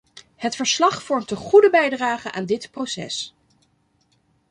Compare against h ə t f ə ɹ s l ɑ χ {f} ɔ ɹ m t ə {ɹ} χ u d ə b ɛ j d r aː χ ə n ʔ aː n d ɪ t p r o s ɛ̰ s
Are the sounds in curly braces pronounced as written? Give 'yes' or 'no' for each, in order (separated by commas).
yes, no